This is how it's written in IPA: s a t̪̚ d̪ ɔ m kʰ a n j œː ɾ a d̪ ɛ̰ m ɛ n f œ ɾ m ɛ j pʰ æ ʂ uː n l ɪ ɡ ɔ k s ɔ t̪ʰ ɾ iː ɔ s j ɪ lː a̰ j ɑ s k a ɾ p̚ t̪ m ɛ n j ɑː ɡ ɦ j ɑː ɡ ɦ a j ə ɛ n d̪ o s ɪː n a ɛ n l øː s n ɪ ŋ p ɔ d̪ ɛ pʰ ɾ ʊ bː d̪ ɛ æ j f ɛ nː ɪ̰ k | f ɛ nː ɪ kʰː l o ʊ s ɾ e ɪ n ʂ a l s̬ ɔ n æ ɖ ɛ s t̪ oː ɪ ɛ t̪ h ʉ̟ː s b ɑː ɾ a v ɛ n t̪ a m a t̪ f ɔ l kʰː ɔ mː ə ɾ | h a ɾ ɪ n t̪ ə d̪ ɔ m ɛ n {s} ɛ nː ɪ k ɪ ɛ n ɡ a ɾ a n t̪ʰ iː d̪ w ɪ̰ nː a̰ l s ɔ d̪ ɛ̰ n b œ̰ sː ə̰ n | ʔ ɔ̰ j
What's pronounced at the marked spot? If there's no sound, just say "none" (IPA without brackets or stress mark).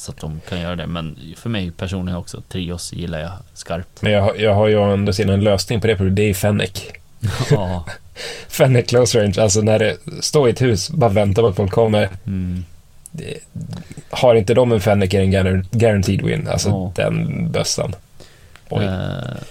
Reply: f